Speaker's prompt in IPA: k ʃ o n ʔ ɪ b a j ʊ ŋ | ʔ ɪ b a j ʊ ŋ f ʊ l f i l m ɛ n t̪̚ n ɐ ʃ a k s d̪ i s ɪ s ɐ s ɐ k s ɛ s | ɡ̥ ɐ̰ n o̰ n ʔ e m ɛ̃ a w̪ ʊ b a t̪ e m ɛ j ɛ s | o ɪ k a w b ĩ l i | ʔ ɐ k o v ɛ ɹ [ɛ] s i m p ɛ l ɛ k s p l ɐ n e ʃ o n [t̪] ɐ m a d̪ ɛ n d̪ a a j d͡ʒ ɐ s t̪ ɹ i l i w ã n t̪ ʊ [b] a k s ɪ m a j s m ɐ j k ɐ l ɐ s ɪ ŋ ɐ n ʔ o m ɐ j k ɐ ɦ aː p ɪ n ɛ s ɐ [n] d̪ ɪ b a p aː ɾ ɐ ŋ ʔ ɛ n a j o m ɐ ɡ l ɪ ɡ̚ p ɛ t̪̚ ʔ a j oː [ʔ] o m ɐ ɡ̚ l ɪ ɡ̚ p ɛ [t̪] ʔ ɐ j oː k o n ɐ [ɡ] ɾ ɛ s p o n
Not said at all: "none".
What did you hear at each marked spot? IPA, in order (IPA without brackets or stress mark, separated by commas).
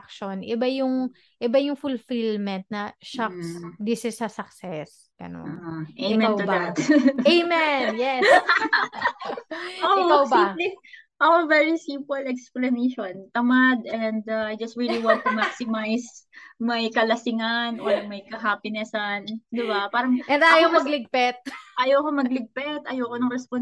i, t̪, m, n, k, t̪, ŋ